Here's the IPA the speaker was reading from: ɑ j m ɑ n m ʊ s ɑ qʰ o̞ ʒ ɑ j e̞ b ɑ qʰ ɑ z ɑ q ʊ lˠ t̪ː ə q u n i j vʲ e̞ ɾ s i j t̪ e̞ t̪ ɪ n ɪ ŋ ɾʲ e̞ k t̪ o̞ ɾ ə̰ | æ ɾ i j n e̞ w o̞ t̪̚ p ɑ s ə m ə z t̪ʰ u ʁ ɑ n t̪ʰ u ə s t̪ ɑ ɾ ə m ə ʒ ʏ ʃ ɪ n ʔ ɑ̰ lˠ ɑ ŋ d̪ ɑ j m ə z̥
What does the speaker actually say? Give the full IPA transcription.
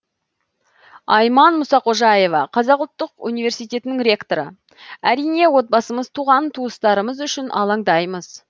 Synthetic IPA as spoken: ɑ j m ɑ n m ʊ s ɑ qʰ o̞ ʒ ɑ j e̞ v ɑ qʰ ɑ z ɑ q ʊ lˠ t̪ː ə q u n i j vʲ e̞ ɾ s i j t̪ e̞ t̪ ɪ n ɪ ŋ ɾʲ e̞ k t̪ o̞ ɾ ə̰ | æ ɾ i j n e̞ w o̞ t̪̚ b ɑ s ə m ə z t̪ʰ u ʁ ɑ n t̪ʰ u ə s t̪ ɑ ɾ ə m ə z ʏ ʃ ɪ n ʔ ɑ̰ lˠ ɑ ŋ d̪ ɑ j m ə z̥